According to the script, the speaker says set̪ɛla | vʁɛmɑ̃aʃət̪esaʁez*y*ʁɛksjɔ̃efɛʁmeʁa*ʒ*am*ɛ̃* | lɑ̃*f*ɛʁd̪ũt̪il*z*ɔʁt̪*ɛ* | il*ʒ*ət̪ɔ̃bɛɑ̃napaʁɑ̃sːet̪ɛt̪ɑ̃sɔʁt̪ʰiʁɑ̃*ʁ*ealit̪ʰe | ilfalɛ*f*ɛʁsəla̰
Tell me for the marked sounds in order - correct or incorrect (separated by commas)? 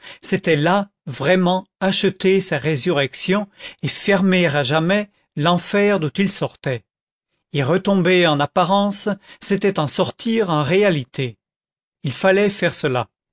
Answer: correct, correct, incorrect, correct, incorrect, correct, incorrect, correct, correct